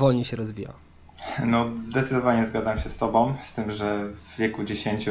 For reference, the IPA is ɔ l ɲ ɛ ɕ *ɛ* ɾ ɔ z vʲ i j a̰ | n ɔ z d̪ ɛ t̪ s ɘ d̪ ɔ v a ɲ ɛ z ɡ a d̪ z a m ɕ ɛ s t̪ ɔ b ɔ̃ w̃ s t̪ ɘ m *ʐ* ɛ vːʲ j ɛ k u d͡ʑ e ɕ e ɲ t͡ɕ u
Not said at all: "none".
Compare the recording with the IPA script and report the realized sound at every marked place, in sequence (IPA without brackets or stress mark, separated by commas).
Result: ɛ, ʐ